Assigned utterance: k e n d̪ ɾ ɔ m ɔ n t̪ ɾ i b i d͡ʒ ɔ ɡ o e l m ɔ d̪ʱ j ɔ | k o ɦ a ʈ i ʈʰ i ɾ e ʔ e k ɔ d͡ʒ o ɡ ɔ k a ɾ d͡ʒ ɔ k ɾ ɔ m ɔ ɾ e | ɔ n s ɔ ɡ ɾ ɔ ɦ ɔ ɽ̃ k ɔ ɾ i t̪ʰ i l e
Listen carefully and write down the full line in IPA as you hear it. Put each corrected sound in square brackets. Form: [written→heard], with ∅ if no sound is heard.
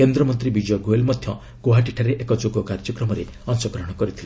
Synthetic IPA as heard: k e n d̪ ɾ ɔ m ɔ n t̪ ɾ i b i d͡ʒ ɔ ɡ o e l m ɔ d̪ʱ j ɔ | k o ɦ a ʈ i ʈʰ [i→a] ɾ e ʔ e k ɔ d͡ʒ o ɡ ɔ k a ɾ d͡ʒ ɔ k ɾ ɔ m ɔ ɾ e | ɔ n s ɔ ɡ ɾ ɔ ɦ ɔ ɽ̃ k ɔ ɾ i t̪ʰ i l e